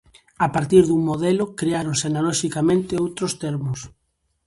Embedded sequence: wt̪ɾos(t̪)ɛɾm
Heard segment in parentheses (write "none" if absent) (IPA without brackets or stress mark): t̪